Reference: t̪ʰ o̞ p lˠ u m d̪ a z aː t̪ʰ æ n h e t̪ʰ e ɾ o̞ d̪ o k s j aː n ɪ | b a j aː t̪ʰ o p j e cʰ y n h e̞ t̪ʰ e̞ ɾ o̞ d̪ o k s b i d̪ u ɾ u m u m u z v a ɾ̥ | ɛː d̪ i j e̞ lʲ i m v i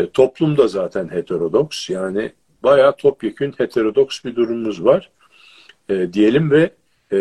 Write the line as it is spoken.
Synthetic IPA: t̪ʰ o̞ p lˠ u m d̪ a z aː t̪ʰ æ n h e t̪ʰ e ɾ o̞ d̪ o k s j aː n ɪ | b a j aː t̪ʰ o p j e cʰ y n h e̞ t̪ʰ e̞ ɾ o̞ d̪ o k s b i d̪ u ɾ u m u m u z v a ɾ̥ | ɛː d̪ i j e̞ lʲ i m v ɛ